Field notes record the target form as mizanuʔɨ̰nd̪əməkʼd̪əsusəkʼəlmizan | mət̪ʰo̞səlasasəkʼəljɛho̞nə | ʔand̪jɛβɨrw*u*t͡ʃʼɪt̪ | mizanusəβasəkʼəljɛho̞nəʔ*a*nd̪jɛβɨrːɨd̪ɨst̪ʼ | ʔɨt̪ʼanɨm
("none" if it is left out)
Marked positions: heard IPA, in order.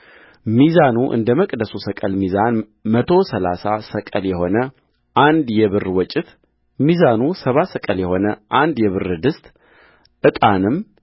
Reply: ɔ, a

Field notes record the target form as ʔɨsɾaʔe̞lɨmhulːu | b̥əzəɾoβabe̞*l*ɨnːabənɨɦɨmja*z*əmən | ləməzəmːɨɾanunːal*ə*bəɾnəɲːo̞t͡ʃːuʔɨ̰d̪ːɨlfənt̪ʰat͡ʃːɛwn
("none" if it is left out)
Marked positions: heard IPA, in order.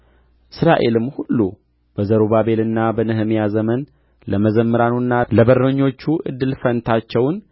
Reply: l, z, ə

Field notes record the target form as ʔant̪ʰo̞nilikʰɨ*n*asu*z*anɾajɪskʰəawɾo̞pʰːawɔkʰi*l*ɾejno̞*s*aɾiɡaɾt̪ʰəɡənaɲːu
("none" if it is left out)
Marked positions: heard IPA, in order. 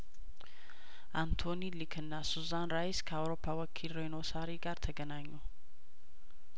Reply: nː, z, l, s

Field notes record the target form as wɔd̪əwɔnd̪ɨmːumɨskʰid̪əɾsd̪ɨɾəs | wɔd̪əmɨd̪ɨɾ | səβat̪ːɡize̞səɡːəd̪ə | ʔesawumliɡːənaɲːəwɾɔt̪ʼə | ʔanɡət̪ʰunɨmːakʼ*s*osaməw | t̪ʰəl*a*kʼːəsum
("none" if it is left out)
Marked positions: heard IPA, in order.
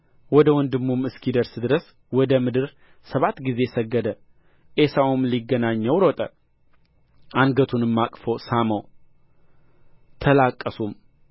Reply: f, a

